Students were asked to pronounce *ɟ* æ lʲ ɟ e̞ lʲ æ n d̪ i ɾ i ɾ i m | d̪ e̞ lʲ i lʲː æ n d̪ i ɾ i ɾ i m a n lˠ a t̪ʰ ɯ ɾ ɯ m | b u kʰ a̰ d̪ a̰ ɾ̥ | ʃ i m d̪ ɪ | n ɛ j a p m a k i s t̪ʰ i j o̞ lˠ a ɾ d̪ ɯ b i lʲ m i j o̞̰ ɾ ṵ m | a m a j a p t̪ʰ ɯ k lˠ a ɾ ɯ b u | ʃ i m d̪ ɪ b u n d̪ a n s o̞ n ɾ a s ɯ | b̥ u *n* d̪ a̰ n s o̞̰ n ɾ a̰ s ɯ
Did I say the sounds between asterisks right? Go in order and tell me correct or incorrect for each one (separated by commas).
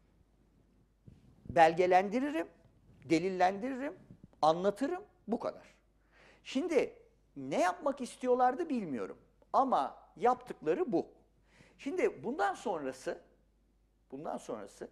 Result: incorrect, correct